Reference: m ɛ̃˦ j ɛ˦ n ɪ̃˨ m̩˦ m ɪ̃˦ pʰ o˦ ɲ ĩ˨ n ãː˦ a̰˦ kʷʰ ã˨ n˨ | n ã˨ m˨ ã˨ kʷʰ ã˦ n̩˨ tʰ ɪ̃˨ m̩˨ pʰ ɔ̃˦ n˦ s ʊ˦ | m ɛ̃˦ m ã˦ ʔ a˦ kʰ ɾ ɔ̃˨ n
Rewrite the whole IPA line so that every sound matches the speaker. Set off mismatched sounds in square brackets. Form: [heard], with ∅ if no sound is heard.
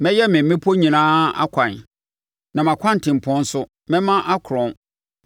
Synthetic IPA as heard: m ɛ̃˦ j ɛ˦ [m] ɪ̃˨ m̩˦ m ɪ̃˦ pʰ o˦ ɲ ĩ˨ n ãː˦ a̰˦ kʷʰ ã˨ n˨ | n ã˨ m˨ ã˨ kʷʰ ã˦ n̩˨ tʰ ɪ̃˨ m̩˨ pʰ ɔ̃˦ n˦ s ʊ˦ | m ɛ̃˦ m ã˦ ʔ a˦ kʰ ɾ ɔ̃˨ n